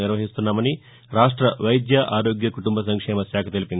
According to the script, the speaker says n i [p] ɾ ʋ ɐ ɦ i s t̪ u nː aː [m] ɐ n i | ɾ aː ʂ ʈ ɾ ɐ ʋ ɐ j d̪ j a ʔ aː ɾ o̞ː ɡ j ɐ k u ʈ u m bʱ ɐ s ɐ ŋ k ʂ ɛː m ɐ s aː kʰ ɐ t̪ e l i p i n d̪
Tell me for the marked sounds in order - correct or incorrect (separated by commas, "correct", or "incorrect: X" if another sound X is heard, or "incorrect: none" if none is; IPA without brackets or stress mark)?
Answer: incorrect: none, correct